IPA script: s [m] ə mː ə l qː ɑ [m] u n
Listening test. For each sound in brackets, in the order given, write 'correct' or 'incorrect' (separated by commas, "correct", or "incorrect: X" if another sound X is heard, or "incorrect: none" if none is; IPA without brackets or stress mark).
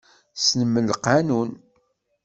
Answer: incorrect: n, incorrect: n